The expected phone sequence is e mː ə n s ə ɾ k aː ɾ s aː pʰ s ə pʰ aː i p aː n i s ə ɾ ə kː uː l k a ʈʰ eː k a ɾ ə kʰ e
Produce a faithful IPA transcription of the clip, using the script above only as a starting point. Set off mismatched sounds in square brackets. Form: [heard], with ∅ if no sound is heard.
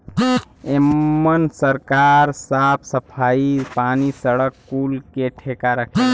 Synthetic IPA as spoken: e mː ə n s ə ɾ k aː ɾ s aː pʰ s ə pʰ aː i p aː n i s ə [ɽ] ə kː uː l k [e] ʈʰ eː k a ɾ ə kʰ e